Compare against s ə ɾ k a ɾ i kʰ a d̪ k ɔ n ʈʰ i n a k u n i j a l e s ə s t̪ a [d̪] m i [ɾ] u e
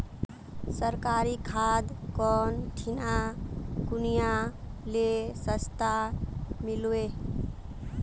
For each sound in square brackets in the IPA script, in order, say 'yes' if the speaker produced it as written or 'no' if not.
no, no

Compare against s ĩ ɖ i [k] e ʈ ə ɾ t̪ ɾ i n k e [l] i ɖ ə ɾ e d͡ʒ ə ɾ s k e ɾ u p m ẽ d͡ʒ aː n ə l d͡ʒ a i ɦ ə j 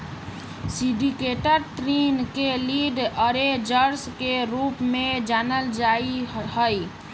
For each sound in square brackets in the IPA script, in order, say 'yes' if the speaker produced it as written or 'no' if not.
yes, yes

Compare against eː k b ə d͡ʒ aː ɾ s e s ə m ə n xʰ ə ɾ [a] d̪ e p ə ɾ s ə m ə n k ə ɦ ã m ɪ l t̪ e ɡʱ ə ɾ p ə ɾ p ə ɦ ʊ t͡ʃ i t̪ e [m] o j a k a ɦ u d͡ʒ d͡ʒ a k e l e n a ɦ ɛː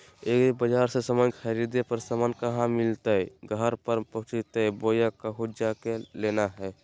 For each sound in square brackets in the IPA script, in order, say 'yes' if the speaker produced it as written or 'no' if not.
no, no

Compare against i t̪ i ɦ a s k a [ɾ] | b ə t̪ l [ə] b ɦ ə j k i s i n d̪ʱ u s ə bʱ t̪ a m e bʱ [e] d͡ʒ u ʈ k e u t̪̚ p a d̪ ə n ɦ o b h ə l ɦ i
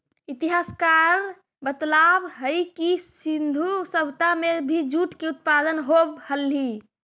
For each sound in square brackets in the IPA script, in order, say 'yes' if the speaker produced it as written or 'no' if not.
yes, no, no

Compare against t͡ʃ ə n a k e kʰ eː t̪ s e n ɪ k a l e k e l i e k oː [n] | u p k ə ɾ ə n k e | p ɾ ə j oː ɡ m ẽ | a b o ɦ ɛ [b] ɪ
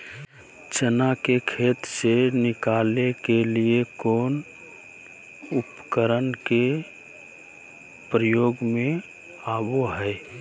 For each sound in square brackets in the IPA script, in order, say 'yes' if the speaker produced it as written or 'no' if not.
yes, no

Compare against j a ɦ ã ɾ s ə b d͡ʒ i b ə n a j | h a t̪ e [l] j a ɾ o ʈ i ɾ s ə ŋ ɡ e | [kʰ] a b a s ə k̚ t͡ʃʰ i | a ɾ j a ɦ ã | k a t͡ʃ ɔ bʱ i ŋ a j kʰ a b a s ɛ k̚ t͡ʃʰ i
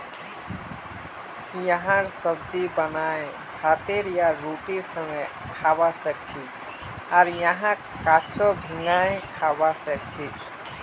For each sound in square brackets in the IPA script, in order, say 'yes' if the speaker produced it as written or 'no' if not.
no, yes

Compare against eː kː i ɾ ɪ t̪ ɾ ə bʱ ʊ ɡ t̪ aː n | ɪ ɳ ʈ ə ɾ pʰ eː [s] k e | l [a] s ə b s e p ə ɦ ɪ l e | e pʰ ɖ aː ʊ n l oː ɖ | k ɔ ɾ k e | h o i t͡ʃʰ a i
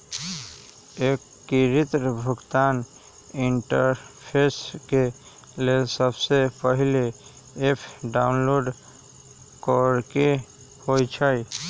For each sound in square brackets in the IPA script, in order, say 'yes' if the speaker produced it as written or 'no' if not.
yes, no

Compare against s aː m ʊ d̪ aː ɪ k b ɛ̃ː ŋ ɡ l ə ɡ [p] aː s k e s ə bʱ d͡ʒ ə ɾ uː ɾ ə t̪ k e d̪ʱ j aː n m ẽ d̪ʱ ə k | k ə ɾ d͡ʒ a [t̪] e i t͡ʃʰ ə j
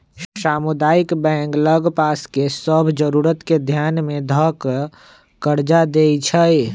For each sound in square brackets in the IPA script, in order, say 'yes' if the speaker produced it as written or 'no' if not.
yes, no

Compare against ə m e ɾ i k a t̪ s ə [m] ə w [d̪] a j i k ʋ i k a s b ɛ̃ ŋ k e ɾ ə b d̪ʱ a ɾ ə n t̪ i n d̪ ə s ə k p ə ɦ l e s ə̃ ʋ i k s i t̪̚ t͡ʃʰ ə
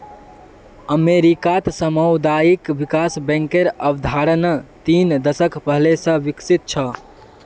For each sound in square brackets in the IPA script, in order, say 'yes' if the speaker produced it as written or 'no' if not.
yes, yes

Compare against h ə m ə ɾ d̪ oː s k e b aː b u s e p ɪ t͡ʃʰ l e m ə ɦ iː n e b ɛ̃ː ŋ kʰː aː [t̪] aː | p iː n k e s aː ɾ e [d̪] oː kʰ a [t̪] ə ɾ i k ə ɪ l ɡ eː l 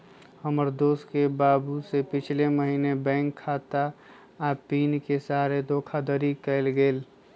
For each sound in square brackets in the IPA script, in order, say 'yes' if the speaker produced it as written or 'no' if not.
yes, yes, no

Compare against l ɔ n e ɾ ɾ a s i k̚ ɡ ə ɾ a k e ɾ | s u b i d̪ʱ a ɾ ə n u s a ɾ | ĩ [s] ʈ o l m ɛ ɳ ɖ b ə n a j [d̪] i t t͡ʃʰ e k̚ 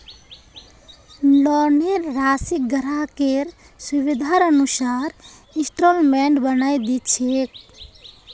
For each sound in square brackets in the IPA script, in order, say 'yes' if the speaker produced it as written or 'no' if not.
yes, yes

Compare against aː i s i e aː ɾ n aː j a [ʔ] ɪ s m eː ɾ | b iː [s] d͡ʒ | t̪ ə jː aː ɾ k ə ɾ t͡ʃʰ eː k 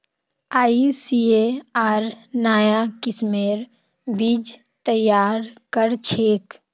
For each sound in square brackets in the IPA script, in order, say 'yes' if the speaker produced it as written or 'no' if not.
no, no

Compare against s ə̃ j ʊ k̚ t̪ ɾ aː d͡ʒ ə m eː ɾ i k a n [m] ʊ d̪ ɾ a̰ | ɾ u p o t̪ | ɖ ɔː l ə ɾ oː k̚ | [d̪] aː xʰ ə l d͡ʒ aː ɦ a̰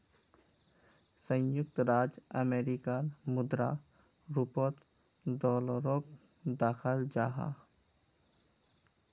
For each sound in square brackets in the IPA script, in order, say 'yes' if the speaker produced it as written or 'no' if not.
yes, yes

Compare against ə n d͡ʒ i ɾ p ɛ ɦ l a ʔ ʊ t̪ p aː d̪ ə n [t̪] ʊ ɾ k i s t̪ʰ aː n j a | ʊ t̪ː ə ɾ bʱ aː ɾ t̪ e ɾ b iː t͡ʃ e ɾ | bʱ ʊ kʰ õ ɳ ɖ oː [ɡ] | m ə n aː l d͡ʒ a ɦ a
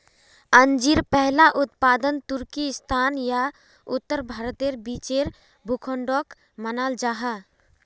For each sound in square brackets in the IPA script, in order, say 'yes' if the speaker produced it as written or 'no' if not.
yes, no

